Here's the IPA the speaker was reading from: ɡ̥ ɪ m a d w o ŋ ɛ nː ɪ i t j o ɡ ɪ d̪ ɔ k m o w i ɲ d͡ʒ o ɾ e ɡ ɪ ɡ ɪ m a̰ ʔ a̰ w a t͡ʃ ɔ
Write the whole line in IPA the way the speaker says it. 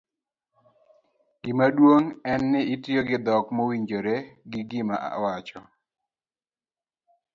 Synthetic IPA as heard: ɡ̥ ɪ m a d w o ŋ ɛ nː ɪ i t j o ɡ ɪ d̪ ɔ k m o w i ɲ d͡ʒ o ɾ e ɡ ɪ ɡ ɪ m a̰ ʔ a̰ w a t͡ʃ ɔ